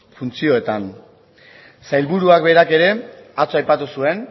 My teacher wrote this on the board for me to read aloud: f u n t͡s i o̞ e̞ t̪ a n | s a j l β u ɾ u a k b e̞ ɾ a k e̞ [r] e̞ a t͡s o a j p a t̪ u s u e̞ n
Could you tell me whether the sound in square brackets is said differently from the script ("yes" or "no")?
yes